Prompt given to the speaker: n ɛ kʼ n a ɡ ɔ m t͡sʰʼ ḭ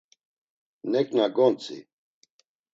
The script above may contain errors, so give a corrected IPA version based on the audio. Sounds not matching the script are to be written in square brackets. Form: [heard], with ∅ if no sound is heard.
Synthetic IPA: n ɛ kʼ n a ɡ ɔ [n] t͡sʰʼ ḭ